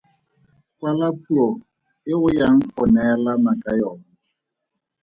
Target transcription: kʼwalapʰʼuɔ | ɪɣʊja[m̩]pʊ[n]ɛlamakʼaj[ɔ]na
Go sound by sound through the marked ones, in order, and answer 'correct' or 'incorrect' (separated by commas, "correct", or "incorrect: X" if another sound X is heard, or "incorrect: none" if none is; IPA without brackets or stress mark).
incorrect: ŋ̩, correct, incorrect: ɔː